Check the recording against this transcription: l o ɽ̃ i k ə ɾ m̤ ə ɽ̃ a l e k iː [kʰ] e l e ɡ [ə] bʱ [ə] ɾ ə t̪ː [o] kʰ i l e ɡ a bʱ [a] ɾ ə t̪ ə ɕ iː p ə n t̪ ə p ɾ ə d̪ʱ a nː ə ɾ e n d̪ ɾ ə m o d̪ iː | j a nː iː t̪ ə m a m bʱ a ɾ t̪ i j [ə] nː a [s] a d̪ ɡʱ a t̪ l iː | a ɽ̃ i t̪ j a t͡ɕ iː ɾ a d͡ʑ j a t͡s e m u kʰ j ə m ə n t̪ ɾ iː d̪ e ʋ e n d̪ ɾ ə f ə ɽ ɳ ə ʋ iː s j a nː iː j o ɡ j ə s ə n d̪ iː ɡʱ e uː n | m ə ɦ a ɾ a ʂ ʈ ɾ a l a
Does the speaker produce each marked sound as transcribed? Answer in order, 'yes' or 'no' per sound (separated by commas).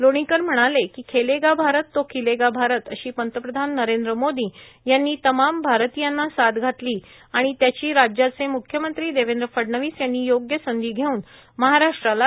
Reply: yes, no, no, yes, yes, no, yes